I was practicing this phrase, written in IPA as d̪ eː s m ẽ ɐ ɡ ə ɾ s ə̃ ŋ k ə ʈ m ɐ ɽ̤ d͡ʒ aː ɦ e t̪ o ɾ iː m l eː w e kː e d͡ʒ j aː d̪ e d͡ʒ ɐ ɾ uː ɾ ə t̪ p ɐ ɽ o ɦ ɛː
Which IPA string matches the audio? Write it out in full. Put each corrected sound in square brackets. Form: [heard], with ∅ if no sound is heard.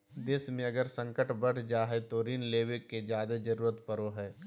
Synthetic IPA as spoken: d̪ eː s m ẽ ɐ ɡ ə ɾ s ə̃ ŋ k ə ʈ [b] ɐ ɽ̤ d͡ʒ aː ɦ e t̪ o ɾ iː [n] l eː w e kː e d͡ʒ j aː d̪ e d͡ʒ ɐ ɾ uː ɾ ə t̪ p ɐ [ɾ] o ɦ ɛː